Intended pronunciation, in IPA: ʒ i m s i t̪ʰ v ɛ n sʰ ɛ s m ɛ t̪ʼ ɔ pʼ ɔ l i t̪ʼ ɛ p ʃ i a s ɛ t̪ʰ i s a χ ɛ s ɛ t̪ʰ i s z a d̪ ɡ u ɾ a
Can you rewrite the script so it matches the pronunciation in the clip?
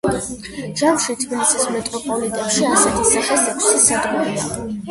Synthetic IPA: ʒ a m ʃ i t̪ʰ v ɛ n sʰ i s m ɛ t̪ʼ ɔ pʼ ɔ l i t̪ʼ ɛ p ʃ i a s ɛ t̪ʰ i s a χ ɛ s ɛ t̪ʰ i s s a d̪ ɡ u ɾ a